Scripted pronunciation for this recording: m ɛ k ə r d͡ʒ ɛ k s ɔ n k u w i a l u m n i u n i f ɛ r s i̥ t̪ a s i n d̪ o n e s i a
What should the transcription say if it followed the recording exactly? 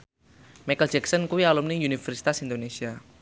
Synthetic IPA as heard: m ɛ k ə l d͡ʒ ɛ k s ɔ n k u w i a l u m n i u n i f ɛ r s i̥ t̪ a s i n d̪ o n e s i a